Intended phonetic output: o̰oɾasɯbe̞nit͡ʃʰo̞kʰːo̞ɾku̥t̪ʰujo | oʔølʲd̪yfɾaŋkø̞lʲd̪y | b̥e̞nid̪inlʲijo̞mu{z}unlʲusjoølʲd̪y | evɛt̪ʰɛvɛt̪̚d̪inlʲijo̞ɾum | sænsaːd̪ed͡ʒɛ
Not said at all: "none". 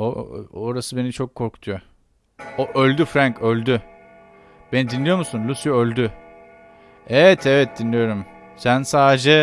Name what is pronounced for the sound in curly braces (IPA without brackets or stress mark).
s